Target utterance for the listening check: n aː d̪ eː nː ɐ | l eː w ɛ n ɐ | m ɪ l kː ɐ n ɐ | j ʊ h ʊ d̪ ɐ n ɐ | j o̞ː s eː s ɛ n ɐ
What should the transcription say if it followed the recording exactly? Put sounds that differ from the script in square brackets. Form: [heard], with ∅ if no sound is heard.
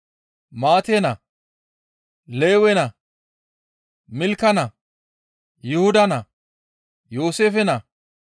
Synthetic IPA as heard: [m] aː [t̪] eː [n] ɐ | l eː w ɛ n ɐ | m ɪ l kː ɐ n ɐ | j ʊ h ʊ d̪ ɐ n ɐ | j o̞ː s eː [f] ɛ n ɐ